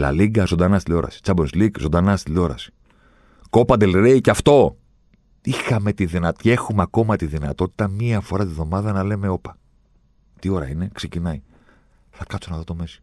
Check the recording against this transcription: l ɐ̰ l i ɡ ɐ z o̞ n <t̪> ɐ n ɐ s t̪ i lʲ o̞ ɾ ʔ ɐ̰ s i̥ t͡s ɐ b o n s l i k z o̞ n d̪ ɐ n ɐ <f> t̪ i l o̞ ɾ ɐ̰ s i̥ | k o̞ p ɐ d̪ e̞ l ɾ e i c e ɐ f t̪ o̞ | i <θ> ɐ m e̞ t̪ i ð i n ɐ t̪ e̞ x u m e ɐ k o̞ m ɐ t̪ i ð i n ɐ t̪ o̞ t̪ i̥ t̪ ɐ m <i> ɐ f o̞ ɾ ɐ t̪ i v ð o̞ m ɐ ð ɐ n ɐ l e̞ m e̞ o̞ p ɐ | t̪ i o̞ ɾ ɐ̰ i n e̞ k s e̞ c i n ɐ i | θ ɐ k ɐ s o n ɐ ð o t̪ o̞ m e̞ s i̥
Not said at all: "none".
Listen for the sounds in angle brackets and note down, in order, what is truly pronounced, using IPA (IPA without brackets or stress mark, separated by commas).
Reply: d̪, s, x, i